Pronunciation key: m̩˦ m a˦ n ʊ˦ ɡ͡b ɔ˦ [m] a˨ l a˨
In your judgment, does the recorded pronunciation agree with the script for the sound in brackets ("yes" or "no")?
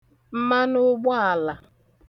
no